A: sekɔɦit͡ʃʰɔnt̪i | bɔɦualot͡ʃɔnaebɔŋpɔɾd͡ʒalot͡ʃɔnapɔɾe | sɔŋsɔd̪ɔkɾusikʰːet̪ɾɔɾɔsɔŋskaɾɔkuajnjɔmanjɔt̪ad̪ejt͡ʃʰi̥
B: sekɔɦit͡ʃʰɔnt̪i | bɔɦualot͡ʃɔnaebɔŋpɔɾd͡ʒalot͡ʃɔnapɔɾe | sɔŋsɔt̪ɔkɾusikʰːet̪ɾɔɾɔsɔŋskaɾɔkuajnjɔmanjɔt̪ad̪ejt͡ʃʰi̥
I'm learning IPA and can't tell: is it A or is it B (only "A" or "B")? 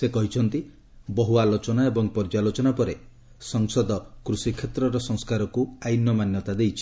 A